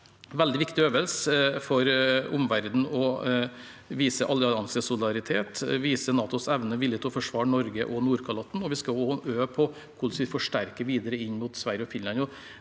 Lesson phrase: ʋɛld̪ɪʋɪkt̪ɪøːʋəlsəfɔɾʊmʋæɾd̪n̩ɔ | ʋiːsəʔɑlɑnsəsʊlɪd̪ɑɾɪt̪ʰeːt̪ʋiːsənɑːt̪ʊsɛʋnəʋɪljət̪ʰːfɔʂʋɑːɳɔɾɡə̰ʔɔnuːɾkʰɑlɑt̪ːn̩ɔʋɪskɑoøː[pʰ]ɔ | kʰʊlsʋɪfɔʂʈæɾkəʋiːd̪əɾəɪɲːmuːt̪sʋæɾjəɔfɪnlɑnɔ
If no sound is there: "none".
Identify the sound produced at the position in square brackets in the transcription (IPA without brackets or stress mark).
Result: pʰ